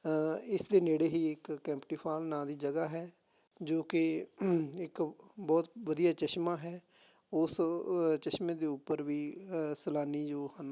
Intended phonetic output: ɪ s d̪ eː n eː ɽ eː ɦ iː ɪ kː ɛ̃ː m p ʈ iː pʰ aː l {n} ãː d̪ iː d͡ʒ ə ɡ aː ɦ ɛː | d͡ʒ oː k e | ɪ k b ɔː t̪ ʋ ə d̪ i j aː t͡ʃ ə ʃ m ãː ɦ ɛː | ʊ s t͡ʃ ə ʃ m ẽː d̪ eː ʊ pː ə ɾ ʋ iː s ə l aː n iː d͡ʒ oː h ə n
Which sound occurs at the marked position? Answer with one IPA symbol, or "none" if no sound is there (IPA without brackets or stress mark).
n